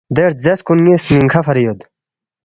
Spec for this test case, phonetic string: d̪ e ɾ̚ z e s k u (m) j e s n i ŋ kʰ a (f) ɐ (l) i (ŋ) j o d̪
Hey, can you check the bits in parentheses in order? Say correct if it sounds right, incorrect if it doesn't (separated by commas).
incorrect, correct, incorrect, incorrect